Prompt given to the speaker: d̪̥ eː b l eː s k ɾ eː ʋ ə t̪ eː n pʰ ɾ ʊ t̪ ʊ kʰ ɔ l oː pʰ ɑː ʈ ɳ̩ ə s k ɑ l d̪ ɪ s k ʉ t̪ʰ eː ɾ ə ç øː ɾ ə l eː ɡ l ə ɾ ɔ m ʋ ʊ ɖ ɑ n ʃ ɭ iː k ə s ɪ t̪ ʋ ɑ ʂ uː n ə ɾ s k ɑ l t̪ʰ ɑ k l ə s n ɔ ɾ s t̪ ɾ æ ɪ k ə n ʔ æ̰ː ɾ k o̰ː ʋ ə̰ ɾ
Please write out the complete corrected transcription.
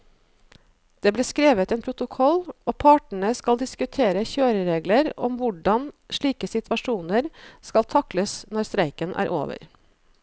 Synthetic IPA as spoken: d̪̥ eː b l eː s k ɾ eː ʋ ə t̪ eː n pʰ ɾ ʊ t̪ ʊ kʰ ɔ l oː pʰ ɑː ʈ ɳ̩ ə s k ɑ l d̪ ɪ s k ʉ t̪ʰ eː ɾ ə ç øː ɾ ə ɾ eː ɡ l ə ɾ ɔ m ʋ ʊ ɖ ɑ n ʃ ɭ iː k ə s ɪ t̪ ʋ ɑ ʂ uː n ə ɾ s k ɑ l t̪ʰ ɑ k l ə s n ɔ ɾ s t̪ ɾ æ ɪ k ə n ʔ æ̰ː ɾ ʔ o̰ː ʋ ə̰ ɾ